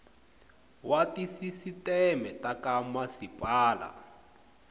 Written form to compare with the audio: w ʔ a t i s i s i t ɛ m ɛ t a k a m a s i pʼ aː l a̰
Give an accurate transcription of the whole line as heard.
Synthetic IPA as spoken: w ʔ a t i s i s i t ɛ m ɛ t a k a m a s i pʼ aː l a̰